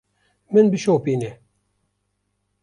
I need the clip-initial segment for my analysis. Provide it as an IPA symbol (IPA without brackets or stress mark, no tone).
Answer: m